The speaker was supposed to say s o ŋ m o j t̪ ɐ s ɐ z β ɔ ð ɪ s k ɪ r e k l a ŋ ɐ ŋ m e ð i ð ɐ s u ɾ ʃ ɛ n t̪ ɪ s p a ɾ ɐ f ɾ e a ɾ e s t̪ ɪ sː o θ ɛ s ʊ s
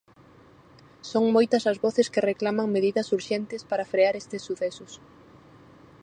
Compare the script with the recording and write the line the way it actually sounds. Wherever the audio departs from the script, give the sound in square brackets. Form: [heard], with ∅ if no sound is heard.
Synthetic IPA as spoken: s o ŋ m o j t̪ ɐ s ɐ z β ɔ [θ] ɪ s k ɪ r e k l a [m] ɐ ŋ m e ð i ð ɐ s u ɾ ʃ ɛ n t̪ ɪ s p a ɾ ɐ f ɾ e a ɾ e s t̪ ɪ sː [u] θ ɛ s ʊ s